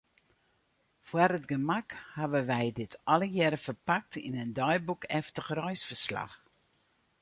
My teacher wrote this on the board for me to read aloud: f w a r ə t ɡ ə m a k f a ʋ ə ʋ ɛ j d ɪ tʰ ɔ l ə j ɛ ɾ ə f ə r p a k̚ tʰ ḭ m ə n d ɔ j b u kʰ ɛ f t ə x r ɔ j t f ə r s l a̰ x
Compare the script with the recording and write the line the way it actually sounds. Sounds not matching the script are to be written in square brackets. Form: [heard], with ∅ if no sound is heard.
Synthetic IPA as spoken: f w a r ə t ɡ ə m a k [h] a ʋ ə ʋ ɛ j d ɪ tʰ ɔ l ə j ɛ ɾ ə f ə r p a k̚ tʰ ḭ [n] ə n d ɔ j b u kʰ ɛ f t ə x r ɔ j [s] f ə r s l a̰ x